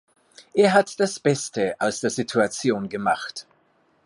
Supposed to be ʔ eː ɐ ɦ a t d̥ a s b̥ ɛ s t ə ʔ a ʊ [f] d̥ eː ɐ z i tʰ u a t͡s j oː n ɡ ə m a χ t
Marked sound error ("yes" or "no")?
yes